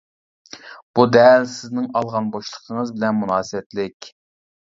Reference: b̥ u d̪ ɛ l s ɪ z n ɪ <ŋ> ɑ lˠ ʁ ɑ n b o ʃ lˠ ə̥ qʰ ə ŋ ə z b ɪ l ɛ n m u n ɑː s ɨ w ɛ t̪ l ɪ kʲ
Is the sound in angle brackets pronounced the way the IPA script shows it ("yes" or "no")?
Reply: yes